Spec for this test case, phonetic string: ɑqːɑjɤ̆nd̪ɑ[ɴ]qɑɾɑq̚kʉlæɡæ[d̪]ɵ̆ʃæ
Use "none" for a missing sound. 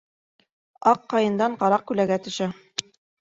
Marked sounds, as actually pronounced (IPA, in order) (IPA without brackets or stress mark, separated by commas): ɴ, t̪